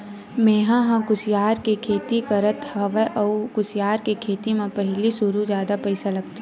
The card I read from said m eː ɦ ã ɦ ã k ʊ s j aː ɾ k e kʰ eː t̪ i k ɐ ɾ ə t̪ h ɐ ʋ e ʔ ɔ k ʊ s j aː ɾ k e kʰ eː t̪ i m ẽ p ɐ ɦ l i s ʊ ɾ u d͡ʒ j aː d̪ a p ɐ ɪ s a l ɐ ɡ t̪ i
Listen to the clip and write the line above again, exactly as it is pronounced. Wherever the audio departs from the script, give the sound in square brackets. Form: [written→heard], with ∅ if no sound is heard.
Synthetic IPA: m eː ɦ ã ɦ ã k ʊ s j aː ɾ k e kʰ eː t̪ i k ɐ ɾ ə t̪ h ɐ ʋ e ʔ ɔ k ʊ s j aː ɾ k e kʰ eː t̪ i m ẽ p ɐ ɦ l i s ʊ ɾ u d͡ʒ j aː d̪ a p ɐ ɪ s a l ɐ ɡ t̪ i